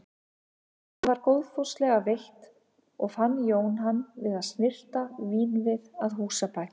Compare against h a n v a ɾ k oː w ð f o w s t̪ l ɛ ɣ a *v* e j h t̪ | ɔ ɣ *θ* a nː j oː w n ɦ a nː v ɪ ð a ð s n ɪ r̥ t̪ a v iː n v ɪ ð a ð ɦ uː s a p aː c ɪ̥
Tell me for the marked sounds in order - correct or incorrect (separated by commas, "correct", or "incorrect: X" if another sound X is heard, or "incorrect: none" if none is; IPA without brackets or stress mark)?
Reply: correct, incorrect: f